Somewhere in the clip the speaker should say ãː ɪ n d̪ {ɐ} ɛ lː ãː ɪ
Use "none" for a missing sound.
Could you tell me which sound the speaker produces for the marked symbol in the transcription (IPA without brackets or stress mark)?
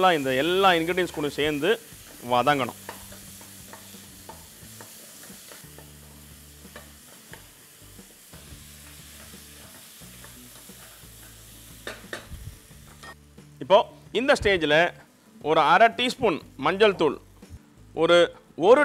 ɐ